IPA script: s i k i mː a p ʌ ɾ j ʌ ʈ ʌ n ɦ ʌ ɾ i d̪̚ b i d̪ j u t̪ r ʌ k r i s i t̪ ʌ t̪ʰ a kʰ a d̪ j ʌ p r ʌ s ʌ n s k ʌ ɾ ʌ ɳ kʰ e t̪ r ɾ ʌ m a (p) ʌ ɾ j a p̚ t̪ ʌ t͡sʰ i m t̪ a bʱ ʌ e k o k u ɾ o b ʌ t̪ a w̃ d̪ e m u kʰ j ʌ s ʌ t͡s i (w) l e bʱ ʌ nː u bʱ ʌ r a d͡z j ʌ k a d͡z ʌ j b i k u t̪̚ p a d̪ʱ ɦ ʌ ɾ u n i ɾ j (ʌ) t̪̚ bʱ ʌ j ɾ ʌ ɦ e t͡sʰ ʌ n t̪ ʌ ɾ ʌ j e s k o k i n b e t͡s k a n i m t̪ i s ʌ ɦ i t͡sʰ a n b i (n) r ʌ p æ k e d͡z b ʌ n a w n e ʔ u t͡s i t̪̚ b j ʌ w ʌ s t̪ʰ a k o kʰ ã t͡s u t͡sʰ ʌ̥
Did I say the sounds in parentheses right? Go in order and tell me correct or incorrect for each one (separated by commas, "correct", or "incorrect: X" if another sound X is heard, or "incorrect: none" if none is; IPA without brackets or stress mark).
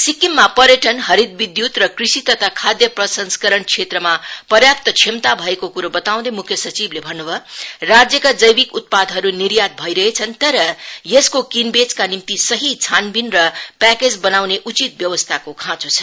correct, incorrect: b, incorrect: a, correct